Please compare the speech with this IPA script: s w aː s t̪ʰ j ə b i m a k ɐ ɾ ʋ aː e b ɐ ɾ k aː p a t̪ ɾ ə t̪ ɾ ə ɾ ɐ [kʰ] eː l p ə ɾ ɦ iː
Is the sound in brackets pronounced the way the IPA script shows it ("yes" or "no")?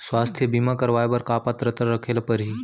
yes